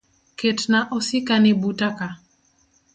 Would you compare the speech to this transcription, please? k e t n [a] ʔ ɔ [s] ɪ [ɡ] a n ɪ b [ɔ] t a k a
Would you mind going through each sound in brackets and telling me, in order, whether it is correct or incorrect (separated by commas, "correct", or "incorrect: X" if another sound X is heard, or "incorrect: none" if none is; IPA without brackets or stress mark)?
correct, correct, incorrect: k, incorrect: u